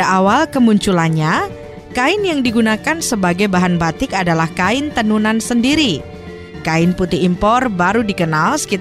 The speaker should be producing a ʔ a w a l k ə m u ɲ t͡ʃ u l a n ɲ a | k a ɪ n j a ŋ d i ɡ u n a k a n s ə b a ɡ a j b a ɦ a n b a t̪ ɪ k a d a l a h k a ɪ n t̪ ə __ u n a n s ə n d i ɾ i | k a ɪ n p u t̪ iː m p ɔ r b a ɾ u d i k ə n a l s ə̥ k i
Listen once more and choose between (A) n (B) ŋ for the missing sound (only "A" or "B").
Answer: A